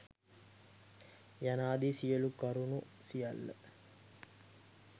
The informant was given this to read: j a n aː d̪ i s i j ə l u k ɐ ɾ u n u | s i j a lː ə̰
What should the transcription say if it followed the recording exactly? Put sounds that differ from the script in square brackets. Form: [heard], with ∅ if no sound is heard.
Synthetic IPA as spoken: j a n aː d̪ i s i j ə l u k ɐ ɾ u n u | s i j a lː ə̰